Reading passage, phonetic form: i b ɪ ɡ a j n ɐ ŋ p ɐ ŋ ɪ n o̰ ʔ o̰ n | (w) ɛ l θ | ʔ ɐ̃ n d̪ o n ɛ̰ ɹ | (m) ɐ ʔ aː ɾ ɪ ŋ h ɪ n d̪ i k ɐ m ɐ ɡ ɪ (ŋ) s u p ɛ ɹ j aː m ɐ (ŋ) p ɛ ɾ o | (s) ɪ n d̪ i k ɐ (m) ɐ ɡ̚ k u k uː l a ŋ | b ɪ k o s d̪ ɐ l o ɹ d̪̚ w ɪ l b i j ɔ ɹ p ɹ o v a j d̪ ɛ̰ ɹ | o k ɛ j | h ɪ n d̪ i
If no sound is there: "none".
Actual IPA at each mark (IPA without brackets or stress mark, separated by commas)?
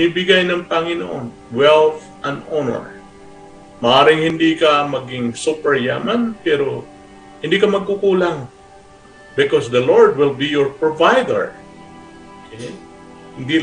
w, m, ŋ, n, h, m